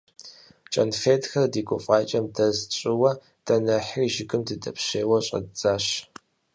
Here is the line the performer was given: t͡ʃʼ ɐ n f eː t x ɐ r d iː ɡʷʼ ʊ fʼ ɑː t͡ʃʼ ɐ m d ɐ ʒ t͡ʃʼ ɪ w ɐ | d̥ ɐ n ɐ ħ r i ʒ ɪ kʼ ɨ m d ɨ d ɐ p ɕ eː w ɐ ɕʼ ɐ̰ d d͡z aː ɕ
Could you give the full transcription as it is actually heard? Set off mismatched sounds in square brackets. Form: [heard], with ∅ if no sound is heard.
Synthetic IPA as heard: t͡ʃʼ ɐ n f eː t x ɐ r d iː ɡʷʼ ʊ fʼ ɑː t͡ʃʼ ɐ m d ɐ [z] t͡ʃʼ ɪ w ɐ | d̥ ɐ n ɐ ħ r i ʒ ɪ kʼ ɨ m d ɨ d ɐ p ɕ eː w ɐ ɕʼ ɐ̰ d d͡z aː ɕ